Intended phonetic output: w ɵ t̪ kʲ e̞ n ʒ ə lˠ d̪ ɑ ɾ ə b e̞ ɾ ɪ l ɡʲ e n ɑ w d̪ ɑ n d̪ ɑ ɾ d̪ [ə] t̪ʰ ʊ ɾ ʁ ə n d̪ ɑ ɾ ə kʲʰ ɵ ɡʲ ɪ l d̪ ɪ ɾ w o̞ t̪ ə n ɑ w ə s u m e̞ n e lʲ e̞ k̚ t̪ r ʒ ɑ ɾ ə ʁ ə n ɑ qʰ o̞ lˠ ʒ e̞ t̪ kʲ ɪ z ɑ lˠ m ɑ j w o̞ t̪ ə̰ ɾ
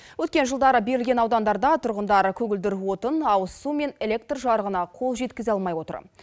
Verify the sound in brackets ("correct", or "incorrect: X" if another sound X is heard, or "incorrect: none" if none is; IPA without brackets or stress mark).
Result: incorrect: ɑ